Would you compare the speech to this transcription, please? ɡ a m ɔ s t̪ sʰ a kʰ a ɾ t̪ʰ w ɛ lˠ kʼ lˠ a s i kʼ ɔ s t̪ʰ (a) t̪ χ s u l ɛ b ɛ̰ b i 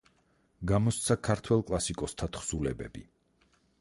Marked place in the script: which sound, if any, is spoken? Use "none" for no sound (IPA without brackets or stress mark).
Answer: a